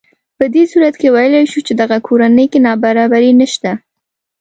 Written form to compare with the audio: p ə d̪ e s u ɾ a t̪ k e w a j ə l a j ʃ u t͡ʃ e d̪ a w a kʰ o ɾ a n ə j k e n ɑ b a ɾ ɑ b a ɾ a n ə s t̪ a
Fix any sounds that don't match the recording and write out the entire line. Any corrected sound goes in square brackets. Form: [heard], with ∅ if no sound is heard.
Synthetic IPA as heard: p ə d̪ e s u ɾ a t̪ k e w a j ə l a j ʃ u t͡ʃ e d̪ a [ɣ] a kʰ o ɾ a n ə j k e n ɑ b a ɾ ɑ b a ɾ [i] n ə [ʃ] t̪ a